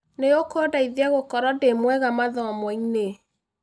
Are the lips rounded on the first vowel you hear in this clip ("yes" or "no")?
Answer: no